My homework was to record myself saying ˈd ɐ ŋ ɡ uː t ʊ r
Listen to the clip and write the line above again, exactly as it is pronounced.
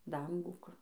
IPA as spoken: ˈd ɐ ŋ ɡ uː k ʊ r